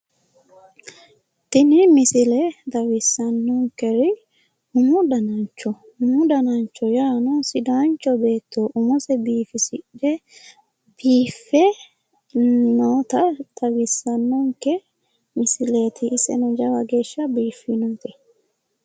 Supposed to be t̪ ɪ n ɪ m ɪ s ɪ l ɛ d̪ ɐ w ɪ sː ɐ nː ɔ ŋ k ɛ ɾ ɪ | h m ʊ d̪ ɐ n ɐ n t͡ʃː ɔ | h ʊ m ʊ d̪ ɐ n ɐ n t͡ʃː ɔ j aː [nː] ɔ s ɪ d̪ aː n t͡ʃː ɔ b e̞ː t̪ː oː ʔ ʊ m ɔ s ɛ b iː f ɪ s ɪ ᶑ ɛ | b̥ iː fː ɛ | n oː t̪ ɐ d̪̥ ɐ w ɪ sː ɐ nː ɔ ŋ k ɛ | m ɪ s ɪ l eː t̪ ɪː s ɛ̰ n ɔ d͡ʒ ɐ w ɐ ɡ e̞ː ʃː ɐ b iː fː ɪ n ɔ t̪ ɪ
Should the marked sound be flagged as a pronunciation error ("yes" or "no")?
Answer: yes